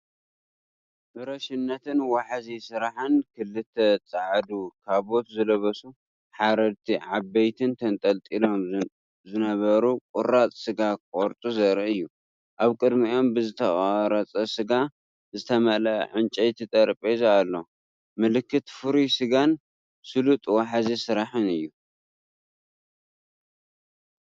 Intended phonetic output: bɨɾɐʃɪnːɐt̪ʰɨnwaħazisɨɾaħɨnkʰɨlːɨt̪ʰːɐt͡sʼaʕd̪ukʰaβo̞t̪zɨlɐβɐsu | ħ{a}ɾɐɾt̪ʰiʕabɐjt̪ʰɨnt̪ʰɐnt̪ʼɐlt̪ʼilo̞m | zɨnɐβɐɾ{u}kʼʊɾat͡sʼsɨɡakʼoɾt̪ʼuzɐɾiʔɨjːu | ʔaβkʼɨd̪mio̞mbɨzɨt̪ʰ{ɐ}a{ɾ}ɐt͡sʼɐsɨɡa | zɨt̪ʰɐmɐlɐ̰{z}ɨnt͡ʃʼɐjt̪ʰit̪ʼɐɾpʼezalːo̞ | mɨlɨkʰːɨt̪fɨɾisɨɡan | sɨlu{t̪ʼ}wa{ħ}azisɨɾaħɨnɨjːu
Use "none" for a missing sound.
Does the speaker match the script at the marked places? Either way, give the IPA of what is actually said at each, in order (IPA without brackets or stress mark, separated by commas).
a, u, ɐ, ɾ, ʕ, t̪ʼ, ħ